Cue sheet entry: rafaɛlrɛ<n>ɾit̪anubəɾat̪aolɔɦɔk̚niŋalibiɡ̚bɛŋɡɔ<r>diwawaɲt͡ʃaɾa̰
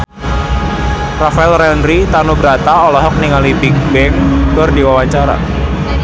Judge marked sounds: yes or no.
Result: yes, yes

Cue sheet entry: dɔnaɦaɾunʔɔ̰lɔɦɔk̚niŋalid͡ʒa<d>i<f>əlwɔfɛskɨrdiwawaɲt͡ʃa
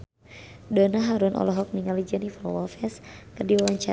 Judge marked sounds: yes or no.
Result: no, yes

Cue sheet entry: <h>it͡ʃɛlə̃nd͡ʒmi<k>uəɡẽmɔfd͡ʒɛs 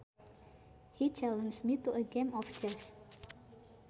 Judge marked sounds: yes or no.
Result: yes, no

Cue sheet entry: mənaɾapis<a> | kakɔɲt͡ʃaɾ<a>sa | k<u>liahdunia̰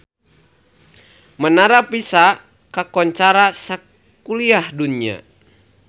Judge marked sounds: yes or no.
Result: yes, yes, yes

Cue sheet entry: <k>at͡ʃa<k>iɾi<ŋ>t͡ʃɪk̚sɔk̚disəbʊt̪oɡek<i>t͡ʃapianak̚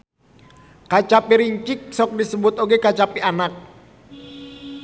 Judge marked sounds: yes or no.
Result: yes, no, no, no

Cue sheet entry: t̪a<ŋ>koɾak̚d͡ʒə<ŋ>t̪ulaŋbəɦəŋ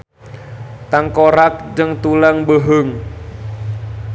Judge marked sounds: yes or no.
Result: yes, yes

